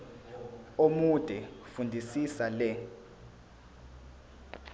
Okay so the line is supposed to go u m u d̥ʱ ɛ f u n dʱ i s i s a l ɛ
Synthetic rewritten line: o m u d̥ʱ ɛ f u n dʱ i s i s a l ɛ